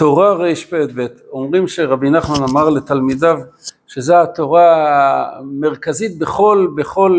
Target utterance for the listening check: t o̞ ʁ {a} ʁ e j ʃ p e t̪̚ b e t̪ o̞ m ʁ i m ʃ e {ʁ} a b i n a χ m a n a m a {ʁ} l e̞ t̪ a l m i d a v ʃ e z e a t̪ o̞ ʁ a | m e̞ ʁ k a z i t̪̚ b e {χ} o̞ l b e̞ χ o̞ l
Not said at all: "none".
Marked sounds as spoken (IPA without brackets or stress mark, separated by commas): a, ʁ, ʁ, χ